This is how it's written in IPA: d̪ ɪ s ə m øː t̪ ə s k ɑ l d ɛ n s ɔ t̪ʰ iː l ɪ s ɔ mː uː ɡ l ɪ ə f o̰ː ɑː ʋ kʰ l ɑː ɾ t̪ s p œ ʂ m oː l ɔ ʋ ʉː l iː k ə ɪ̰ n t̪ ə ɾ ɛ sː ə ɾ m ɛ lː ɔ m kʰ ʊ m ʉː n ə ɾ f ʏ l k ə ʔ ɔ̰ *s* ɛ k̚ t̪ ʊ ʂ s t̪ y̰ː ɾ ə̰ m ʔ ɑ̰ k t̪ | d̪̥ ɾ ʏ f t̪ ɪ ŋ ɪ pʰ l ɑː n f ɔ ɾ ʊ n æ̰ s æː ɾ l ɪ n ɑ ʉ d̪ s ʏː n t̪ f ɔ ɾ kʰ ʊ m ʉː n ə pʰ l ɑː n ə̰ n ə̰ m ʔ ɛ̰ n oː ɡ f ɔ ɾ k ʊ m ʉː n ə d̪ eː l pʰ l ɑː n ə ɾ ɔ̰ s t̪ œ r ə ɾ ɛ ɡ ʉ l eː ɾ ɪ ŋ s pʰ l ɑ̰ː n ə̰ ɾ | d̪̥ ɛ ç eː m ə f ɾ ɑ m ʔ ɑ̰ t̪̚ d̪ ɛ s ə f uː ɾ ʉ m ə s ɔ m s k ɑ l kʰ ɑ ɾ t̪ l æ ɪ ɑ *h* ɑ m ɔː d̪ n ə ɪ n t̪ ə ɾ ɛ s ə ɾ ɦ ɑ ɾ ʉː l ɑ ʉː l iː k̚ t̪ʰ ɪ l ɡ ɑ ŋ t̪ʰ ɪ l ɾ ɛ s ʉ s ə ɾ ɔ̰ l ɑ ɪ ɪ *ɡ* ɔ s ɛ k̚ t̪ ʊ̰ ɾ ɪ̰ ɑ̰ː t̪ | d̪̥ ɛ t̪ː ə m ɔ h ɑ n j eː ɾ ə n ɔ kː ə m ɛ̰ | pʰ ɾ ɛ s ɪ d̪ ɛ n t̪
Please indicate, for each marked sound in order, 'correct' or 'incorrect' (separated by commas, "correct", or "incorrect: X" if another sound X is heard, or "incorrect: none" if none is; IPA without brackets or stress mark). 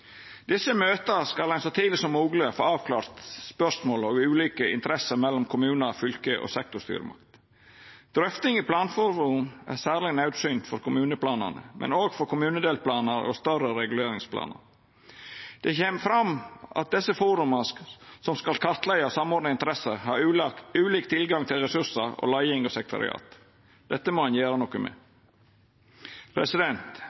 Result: correct, incorrect: s, incorrect: ŋ